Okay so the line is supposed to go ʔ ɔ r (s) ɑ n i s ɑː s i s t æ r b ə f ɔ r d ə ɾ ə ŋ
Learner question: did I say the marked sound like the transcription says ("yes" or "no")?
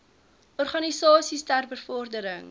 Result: no